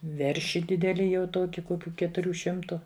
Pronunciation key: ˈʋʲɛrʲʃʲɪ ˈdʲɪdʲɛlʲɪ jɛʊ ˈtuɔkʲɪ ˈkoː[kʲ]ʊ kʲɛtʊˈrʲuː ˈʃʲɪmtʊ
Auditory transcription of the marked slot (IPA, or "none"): kʲ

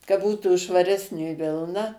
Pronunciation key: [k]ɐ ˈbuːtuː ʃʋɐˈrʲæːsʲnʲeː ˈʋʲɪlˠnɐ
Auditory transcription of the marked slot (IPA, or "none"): k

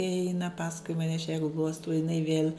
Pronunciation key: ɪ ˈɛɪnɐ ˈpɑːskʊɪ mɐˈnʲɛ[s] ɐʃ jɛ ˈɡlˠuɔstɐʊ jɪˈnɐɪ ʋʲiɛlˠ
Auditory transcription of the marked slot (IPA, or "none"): none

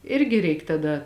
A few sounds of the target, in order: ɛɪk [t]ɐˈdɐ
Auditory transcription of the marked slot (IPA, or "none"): t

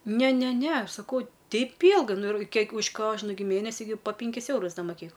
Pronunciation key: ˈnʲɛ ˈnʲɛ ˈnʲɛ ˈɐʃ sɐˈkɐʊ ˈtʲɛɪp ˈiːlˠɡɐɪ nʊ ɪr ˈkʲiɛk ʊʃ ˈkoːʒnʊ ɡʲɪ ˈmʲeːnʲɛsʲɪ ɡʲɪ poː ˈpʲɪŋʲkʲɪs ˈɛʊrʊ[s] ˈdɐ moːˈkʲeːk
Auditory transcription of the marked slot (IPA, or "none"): s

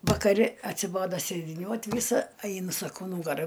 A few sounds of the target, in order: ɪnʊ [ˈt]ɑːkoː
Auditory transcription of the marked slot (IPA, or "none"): s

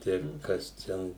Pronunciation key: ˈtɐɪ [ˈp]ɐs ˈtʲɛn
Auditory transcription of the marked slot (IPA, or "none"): k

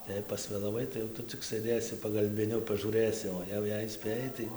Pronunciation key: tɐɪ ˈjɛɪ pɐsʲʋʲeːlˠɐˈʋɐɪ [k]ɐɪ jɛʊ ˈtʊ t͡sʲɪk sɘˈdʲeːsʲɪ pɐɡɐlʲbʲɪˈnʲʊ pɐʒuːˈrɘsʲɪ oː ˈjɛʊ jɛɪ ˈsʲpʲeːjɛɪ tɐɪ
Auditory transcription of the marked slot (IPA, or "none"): t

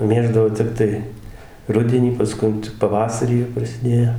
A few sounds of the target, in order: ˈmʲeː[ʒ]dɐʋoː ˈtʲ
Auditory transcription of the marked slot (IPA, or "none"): ʒ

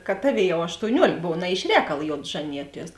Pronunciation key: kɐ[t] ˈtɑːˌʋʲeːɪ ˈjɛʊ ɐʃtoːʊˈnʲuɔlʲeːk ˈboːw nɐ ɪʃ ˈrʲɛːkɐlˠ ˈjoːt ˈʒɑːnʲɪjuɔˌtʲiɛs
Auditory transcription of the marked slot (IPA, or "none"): t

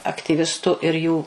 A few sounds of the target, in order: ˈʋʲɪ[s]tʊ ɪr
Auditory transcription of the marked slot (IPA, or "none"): s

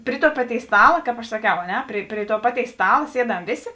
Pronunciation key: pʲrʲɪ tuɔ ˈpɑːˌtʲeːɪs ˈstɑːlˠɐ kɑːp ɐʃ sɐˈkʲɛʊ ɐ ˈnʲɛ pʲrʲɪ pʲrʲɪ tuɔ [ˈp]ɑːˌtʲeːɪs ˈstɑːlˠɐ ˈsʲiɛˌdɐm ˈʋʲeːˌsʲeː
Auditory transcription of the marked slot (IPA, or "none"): p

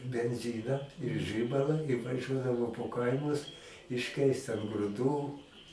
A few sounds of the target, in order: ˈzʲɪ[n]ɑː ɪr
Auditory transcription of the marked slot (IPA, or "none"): n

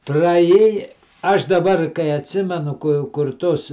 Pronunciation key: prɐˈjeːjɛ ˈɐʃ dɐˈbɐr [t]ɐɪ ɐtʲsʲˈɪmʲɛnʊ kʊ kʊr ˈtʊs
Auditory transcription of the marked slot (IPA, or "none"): k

